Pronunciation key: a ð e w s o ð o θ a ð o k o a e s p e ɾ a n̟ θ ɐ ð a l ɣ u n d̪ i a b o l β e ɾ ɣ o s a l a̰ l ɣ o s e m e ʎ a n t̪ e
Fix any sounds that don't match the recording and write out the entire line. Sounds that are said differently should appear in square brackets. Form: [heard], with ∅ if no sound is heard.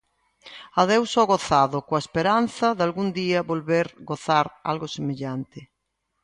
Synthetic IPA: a ð e w s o [ɣ] o θ a ð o k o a e s p e ɾ a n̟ θ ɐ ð a l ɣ u n d̪ i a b o l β e ɾ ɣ o [θ] a [ɾ] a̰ l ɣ o s e m e ʎ a n t̪ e